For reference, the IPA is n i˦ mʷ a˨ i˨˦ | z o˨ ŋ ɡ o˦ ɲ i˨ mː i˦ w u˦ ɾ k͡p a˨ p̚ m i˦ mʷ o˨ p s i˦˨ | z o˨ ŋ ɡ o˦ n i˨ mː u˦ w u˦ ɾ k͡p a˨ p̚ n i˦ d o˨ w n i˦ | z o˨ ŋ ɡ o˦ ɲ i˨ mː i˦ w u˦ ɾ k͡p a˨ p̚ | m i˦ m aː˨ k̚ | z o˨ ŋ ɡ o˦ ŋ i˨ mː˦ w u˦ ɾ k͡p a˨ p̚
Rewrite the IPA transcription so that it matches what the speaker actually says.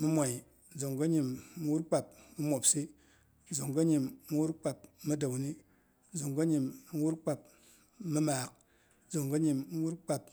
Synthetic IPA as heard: m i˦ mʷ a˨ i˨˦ | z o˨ ŋ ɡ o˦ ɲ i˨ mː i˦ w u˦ ɾ k͡p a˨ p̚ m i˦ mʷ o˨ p s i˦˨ | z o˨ ŋ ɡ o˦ ɲ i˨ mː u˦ w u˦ ɾ k͡p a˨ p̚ m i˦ d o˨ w n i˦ | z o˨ ŋ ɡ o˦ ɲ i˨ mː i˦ w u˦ ɾ k͡p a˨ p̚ | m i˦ m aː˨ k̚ | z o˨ ŋ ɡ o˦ ɲ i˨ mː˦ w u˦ ɾ k͡p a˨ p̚

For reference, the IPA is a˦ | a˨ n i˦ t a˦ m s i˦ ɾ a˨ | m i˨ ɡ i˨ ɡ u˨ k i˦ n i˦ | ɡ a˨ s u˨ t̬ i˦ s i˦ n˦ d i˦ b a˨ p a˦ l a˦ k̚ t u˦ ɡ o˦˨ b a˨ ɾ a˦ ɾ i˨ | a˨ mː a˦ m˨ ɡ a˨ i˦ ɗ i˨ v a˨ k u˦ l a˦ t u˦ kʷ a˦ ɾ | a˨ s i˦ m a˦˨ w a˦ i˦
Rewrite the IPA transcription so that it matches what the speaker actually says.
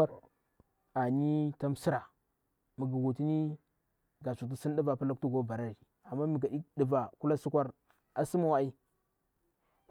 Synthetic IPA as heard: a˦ | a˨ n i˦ t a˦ m s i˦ ɾ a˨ | m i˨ ɡ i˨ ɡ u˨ t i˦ n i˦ | ɡ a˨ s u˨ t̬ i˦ s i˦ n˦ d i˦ v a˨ p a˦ l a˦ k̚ t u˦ ɡ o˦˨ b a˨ ɾ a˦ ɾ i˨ | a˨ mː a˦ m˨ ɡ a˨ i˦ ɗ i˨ v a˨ k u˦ l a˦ s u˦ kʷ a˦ ɾ | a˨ s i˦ m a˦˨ w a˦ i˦

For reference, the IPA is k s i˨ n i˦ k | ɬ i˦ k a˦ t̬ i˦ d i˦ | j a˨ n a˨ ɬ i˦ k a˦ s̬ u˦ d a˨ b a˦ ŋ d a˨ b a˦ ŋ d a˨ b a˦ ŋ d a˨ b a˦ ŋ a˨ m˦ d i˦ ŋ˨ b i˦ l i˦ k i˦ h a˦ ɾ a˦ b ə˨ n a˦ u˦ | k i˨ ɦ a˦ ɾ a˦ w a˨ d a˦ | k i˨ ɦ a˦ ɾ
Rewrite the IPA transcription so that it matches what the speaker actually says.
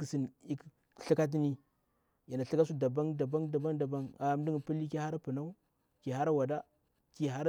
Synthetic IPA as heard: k s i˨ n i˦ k | ɬ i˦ k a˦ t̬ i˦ n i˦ | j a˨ n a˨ ɬ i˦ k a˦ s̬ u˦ d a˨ b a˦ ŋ d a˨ b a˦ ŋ d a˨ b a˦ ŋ d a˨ b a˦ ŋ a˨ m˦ d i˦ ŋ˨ p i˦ l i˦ k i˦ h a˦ ɾ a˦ p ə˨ n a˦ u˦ | k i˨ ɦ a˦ ɾ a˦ w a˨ d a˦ | k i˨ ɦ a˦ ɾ

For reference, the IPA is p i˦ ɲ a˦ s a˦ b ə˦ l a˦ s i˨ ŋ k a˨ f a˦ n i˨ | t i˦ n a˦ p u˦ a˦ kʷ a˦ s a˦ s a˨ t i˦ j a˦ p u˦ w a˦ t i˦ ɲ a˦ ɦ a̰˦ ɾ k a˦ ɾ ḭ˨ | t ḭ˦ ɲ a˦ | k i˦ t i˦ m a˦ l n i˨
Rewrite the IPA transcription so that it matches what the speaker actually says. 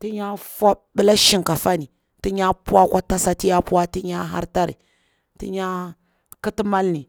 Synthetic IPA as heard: t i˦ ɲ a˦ f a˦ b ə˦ l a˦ ʃ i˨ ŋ k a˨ f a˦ n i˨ | t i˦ ɲ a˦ p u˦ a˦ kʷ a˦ t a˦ s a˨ t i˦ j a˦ p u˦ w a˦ t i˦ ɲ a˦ ɦ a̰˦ ɾ t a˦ ɾ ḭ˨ | t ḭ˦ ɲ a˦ | k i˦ t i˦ m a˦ l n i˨

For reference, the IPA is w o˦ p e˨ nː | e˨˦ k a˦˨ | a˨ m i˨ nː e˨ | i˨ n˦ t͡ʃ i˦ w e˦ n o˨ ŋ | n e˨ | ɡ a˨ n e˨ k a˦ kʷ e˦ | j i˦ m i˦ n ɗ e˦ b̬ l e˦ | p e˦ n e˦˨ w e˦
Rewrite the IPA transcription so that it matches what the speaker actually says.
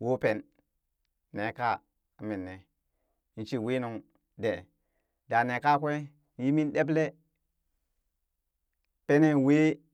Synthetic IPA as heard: w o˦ p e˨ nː | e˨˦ k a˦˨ | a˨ m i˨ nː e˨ | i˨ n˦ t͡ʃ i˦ w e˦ n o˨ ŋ | d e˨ | d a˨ n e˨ k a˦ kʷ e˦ | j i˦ m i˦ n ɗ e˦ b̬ l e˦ | p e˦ n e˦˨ w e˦

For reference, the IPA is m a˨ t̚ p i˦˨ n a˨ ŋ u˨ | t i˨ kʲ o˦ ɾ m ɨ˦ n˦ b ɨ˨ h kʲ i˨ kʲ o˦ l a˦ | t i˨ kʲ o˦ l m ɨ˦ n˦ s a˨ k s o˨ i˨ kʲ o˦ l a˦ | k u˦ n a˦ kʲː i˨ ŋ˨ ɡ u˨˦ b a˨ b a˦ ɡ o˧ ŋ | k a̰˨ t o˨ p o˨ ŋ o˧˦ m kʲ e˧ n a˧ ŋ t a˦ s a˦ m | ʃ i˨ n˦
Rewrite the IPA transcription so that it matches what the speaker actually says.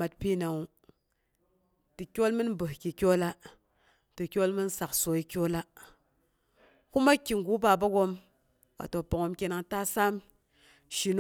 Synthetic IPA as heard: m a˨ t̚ p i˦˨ n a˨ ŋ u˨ | t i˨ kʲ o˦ l m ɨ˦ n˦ b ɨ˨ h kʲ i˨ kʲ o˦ l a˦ | t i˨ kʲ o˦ l m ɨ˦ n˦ s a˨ k s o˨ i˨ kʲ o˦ l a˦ | k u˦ m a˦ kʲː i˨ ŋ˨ ɡ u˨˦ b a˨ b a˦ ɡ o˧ m | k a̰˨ t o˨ p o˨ ŋ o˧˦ m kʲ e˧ n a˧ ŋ t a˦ s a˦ m | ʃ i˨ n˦

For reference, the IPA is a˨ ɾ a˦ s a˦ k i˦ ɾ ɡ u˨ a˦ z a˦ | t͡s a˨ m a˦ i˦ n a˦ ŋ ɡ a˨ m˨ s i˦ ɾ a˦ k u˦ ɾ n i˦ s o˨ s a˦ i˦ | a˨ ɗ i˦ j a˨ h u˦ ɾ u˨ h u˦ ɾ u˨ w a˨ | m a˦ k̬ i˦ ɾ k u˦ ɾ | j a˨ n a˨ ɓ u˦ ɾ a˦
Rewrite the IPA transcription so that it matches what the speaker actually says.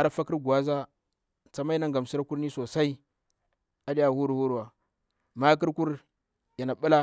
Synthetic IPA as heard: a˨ ɾ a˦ f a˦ k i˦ ɾ ɡ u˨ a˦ z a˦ | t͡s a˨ m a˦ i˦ n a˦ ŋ ɡ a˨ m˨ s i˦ ɾ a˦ k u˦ ɾ n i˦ s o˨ s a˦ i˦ | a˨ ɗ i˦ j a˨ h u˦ ɾ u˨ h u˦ ɾ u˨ w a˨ | m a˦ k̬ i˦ ɾ k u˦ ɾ | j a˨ n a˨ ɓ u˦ l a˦

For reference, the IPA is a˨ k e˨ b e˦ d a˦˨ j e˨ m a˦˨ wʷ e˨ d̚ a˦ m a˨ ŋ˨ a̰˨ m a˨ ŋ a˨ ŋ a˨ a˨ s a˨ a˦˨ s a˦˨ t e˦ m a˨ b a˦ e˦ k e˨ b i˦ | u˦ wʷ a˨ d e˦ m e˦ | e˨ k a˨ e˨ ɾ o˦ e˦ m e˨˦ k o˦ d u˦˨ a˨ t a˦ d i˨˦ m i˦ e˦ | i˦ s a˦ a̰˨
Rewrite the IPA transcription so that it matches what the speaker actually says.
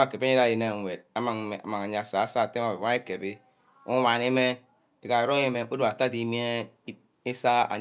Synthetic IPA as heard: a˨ k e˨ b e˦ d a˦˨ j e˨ n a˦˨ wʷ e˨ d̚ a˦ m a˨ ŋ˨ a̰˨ m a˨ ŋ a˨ ɲ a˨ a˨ s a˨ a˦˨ s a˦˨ t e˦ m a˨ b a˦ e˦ k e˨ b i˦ | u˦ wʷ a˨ n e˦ m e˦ | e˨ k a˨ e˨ ɾ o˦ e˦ m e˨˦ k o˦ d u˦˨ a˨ t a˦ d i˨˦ m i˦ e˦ | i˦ s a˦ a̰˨

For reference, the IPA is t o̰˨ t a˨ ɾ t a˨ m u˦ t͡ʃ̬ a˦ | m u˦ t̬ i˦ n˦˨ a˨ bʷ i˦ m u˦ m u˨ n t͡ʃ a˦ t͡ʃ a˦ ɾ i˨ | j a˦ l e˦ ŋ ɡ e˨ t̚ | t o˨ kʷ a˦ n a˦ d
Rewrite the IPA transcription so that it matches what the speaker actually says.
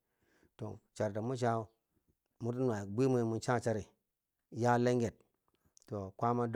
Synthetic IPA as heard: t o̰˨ t͡ʃ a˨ ɾ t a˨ m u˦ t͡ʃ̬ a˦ | m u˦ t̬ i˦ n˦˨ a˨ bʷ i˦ m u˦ m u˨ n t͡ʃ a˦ t͡ʃ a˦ ɾ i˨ | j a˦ l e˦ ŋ ɡ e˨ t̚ | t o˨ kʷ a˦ m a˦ d

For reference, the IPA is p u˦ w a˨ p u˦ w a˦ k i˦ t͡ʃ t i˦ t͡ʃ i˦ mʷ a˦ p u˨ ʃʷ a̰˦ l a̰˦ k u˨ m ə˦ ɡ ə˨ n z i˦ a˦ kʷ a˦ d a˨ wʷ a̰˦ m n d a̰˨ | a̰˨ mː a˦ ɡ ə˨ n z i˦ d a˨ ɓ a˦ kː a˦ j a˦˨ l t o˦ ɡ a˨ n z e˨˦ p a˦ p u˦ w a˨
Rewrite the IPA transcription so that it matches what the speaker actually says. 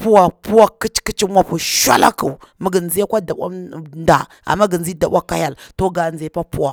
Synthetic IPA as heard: p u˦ w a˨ p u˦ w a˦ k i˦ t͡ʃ k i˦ t͡ʃ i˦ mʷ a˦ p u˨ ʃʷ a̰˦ l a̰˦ k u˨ m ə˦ ɡ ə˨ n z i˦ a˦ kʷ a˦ d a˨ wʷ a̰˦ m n d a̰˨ | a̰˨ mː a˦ ɡ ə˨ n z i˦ d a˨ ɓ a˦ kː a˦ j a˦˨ l t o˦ ɡ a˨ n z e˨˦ p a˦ p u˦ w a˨

